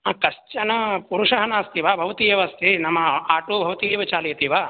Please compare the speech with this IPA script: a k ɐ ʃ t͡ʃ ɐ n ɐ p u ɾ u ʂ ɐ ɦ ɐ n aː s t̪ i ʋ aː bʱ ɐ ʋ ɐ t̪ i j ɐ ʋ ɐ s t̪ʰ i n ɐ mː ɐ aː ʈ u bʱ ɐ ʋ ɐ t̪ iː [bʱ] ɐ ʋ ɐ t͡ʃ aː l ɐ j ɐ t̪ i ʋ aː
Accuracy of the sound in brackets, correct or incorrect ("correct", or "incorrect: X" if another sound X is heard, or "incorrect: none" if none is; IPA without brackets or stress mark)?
incorrect: none